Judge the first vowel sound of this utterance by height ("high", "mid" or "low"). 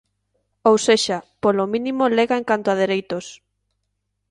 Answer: mid